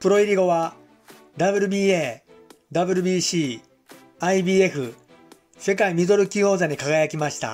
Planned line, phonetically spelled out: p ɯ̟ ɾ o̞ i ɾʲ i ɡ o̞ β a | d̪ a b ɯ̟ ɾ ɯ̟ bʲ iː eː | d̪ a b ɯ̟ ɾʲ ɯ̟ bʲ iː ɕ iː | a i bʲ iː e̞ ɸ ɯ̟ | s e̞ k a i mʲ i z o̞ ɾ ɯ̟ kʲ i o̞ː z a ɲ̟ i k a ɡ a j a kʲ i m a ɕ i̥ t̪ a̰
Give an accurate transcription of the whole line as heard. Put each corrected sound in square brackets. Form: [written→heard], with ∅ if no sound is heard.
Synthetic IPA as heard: p ɯ̟ ɾ o̞ i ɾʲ i ɡ o̞ β a | d̪ a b ɯ̟ ɾ ɯ̟ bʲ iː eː | d̪ a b ɯ̟ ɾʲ ɯ̟ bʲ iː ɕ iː | a i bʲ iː e̞ ɸ ɯ̟ | s e̞ k a i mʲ i z o̞ ɾ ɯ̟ kʲ i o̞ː z a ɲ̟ i k a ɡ a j a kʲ i m a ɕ i̥ t̪ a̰

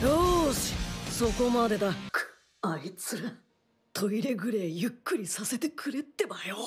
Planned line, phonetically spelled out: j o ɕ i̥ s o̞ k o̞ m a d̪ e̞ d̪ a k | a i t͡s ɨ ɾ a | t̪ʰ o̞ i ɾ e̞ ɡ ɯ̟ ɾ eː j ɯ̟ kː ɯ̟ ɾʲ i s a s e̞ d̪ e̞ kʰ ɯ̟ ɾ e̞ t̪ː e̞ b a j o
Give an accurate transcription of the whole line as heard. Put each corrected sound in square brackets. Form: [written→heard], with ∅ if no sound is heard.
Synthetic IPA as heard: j o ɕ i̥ s o̞ k o̞ m a d̪ e̞ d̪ a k | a i t͡s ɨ ɾ a | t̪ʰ o̞ i ɾ e̞ ɡ ɯ̟ ɾ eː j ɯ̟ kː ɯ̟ ɾʲ i s a s e̞ [d̪→t̪] e̞ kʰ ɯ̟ ɾ e̞ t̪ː e̞ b a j o

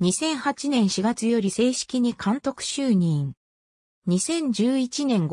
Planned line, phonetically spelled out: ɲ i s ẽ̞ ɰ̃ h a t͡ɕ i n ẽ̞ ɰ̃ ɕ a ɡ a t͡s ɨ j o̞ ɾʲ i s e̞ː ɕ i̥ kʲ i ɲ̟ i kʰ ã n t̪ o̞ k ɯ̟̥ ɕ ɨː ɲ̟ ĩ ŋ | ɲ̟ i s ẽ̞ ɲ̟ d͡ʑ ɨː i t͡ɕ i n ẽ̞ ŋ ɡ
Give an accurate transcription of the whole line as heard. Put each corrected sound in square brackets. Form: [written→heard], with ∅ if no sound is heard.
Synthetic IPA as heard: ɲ i s ẽ̞ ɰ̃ h a t͡ɕ i n ẽ̞ ɰ̃ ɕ [a→i] ɡ a t͡s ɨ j o̞ ɾʲ i s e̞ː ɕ i̥ kʲ i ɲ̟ i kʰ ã n t̪ o̞ k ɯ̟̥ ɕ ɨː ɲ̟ ĩ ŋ | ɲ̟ i s ẽ̞ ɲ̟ d͡ʑ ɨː i t͡ɕ i n ẽ̞ ŋ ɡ

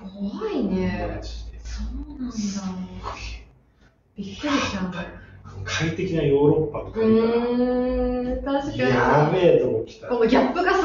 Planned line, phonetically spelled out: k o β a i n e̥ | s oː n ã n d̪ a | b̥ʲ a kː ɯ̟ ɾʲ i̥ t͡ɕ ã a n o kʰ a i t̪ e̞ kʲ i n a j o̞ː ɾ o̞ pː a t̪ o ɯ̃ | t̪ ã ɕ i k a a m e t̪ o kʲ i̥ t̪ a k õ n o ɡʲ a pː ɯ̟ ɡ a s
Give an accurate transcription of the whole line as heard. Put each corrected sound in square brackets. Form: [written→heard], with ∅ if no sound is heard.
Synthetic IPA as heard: k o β a i n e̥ | s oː n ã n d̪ a | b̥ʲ [a→i] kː ɯ̟ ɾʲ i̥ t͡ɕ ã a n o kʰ a i t̪ e̞ kʲ i n a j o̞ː ɾ o̞ pː a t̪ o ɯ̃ | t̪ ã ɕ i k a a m e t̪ o kʲ i̥ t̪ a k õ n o ɡʲ a pː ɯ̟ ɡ a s

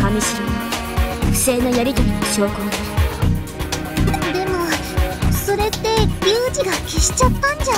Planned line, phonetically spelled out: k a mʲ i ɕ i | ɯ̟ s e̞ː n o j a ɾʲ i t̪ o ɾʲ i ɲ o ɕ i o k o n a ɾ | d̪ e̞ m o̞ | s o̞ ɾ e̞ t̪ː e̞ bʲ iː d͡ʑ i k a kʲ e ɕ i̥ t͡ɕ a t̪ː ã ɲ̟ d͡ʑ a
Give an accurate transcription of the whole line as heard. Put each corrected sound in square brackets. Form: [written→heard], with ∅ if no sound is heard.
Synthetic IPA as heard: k a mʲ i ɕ i | ɯ̟ s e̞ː n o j a ɾʲ i t̪ o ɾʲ i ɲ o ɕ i o k o n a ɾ | d̪ e̞ m o̞ | s o̞ ɾ e̞ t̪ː e̞ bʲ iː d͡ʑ i [k→ɡ] a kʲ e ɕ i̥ t͡ɕ a t̪ː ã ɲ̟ d͡ʑ a

